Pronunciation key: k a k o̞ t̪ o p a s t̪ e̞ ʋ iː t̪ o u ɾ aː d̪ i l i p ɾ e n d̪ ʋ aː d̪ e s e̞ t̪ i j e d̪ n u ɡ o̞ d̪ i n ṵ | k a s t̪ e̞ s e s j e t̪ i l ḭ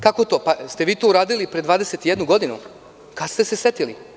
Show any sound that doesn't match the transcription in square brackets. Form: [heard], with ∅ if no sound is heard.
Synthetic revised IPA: k a k o̞ t̪ o p a s t̪ e̞ ʋ iː t̪ o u ɾ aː d̪ i l i p ɾ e [∅] d̪ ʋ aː d̪ e s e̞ t̪ i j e d̪ n u ɡ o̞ d̪ i n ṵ | k a s t̪ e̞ s e s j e t̪ i l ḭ